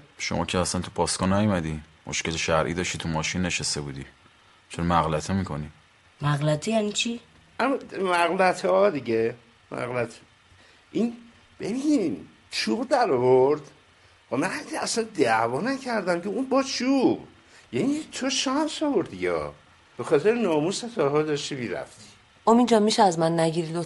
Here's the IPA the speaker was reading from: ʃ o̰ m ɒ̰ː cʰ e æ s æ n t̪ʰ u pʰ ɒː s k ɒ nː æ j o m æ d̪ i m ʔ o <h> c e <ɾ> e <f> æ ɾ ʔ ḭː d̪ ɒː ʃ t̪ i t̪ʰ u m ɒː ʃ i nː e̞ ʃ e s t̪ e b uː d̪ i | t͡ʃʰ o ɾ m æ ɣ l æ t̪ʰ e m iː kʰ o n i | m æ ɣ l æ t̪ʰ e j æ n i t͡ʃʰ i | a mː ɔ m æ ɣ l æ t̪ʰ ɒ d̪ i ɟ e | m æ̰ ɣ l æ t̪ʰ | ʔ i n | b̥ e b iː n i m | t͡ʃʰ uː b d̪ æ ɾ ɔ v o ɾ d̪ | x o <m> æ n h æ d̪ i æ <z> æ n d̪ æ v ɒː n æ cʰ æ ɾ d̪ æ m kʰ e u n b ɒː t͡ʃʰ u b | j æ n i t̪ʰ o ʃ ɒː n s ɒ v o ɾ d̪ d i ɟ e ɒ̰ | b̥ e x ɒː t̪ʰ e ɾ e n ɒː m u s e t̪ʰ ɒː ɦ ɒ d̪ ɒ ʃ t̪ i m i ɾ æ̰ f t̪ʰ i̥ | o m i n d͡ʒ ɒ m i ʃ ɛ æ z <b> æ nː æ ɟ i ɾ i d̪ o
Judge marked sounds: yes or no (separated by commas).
no, no, no, yes, no, no